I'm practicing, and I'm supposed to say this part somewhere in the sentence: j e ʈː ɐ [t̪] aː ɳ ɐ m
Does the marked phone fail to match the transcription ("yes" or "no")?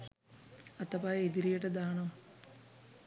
yes